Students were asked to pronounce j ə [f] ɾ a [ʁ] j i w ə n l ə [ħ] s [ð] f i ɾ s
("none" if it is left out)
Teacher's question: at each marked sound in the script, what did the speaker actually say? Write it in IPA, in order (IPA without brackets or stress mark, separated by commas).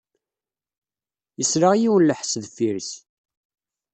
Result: s, ʁ, ħ, ð